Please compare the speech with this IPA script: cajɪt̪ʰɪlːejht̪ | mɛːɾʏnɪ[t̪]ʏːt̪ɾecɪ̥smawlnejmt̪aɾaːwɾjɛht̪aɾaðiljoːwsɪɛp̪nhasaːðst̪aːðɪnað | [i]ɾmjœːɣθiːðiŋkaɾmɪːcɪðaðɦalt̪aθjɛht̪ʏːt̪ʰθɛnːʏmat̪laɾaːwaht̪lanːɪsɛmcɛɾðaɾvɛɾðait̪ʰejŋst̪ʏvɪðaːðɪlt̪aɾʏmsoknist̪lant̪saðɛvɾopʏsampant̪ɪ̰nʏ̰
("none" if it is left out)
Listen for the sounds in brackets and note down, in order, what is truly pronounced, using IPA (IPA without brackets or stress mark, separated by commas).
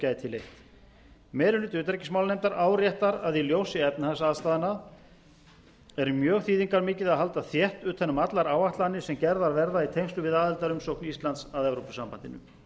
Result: t̪, ɛ